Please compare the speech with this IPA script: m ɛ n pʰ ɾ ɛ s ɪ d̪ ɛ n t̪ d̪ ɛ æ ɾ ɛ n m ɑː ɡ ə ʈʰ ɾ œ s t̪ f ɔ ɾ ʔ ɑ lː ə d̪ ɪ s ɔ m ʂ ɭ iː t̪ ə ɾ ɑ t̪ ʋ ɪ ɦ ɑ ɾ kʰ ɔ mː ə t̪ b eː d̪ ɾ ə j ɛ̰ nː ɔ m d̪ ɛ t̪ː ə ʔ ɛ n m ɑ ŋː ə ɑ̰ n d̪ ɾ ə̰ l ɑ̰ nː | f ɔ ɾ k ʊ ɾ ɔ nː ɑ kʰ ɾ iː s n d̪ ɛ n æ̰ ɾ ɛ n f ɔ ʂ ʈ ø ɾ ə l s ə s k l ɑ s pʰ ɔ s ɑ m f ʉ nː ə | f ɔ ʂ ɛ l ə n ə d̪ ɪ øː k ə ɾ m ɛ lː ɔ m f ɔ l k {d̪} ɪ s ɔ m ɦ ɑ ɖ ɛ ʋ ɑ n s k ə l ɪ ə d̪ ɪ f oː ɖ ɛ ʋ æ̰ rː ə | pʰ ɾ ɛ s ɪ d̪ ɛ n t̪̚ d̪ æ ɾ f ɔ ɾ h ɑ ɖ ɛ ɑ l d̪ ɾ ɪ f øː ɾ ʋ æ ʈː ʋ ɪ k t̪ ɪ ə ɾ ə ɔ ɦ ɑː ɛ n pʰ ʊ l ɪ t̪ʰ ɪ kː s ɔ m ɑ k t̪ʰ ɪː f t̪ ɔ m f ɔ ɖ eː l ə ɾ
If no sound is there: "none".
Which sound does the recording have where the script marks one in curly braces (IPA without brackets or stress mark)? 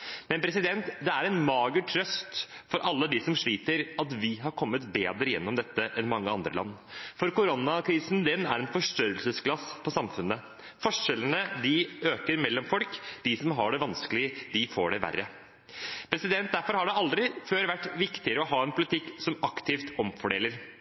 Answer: d̪